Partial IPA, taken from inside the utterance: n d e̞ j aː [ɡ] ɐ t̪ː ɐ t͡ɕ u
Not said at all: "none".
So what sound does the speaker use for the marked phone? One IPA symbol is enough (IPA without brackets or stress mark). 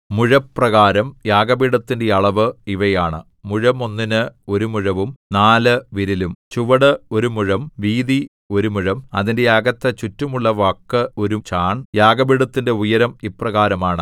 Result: ɡ